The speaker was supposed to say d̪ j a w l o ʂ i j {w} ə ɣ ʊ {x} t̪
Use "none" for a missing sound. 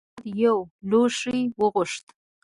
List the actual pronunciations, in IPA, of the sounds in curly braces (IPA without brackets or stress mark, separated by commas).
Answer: w, ʂ